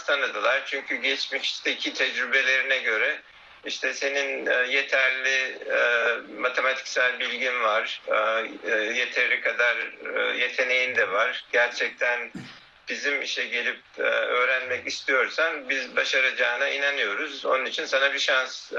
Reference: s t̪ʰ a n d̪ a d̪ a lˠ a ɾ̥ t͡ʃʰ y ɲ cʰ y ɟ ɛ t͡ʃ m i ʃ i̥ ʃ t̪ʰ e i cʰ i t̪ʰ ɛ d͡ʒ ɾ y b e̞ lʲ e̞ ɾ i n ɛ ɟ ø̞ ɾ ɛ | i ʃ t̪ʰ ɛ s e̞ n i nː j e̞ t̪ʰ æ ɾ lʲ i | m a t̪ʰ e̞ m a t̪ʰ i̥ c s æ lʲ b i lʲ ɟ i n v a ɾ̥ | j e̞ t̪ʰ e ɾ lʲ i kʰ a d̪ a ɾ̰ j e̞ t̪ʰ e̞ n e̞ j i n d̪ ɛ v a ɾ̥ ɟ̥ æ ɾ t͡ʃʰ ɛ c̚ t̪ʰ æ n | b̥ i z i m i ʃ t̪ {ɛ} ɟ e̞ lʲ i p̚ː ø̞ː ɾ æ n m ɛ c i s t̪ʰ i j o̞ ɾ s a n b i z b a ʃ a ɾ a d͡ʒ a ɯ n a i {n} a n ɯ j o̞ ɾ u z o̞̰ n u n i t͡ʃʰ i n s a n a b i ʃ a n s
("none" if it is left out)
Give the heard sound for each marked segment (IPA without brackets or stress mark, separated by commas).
ɛ, n